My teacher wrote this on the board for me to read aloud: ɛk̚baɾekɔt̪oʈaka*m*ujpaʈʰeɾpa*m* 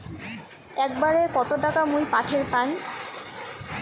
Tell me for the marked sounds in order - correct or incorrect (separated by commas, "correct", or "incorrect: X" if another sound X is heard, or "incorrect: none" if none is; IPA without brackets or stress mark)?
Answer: correct, incorrect: n